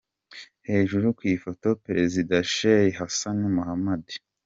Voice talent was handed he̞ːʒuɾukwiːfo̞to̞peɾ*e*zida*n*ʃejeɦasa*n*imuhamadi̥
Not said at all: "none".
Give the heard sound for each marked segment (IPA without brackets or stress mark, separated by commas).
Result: e, none, n